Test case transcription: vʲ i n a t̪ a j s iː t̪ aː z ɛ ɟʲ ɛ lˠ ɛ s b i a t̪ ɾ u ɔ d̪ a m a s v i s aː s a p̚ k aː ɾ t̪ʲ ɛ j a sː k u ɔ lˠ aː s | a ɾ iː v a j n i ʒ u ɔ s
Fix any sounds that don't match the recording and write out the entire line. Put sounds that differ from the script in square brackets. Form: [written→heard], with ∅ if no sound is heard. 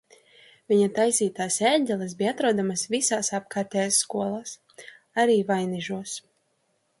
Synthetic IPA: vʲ i [n→ɲ] a t̪ a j s iː t̪ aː [z→s] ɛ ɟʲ ɛ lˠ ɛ s b i a t̪ ɾ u ɔ d̪ a m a s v i s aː s a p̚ k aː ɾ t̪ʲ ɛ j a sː k u ɔ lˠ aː s | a ɾ iː v a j n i ʒ u ɔ s

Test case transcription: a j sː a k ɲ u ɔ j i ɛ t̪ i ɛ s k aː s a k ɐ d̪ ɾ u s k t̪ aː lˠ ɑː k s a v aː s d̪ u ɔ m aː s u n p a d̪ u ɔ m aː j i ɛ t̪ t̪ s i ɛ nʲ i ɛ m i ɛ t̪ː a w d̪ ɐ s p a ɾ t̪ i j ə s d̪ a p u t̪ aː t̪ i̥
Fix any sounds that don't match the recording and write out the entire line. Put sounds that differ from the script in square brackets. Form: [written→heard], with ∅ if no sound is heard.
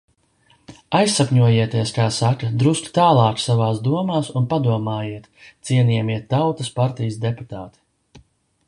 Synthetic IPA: a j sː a k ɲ u ɔ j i ɛ t̪ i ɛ s k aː s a k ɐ d̪ ɾ u s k t̪ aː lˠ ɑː k s a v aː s d̪ u ɔ m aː s u n p a d̪ u ɔ m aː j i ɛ t̪ t̪ s i ɛ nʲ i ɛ m i ɛ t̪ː a w [d̪→t̪] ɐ s p a ɾ t̪ i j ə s d̪ [a→e] p u t̪ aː t̪ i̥

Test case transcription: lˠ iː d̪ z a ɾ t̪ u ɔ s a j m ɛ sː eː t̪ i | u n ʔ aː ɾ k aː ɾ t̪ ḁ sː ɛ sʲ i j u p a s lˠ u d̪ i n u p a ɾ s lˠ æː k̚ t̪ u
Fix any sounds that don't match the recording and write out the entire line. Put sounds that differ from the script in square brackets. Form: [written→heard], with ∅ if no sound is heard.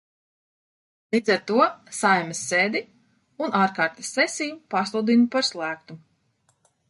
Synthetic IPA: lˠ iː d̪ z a ɾ t̪ u ɔ s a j m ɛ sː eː [t̪→d̪] i | u n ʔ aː ɾ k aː ɾ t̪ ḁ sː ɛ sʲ i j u p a s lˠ u d̪ i n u p a ɾ s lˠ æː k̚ t̪ u

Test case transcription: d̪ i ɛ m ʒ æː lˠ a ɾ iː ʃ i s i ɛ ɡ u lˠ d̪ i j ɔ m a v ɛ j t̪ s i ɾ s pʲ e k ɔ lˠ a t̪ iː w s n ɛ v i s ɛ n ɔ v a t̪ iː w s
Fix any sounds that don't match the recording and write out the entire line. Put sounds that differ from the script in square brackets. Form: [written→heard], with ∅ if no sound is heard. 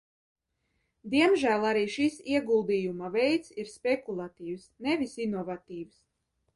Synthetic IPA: d̪ i ɛ m ʒ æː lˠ a ɾ iː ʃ i s i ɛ ɡ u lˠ d̪ i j [ɔ→u] m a v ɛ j t̪ s i ɾ s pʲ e k [ɔ→u] lˠ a t̪ iː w s n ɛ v i s [ɛ→i] n ɔ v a t̪ iː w s

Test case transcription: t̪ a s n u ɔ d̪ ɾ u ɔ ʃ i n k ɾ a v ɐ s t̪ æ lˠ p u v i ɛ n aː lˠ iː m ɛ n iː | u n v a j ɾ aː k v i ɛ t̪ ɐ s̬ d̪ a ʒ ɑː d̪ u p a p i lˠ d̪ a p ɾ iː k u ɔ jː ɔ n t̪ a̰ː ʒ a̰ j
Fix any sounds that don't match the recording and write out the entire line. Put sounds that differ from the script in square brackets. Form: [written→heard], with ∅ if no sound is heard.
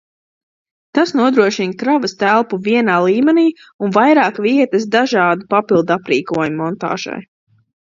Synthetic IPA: t̪ a s n u ɔ d̪ ɾ u ɔ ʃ i n k ɾ a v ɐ s t̪ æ lˠ p u v i ɛ n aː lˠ iː m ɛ n iː | u n v a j ɾ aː k v i ɛ t̪ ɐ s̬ d̪ a ʒ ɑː d̪ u p a p i lˠ d̪ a p ɾ iː k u ɔ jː ɔ n t̪ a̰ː ʒ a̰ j

